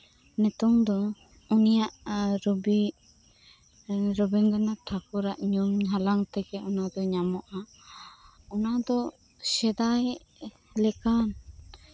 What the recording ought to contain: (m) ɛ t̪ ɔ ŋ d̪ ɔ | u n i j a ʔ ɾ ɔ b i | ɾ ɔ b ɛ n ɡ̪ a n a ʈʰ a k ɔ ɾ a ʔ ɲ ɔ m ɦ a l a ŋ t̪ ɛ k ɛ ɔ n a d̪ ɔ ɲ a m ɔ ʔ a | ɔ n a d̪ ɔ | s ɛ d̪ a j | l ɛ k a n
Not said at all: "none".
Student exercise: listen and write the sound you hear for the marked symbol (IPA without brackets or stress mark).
n